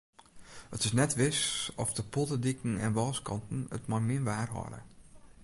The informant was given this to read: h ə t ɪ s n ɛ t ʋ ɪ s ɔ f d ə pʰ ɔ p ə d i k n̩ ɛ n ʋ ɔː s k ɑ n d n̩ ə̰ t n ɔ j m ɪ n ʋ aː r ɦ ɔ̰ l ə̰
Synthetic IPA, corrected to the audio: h ə t ɪ s n ɛ t ʋ ɪ s ɔ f d ə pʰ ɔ t ə d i k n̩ ɛ n ʋ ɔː s k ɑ n t n̩ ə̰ t m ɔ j m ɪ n ʋ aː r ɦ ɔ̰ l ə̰